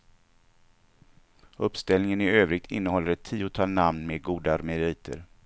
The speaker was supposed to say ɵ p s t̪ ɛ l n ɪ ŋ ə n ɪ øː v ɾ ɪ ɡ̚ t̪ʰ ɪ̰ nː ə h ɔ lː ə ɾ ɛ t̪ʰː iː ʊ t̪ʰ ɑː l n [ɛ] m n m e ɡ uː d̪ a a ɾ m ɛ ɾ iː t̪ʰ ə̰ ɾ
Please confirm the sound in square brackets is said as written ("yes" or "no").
no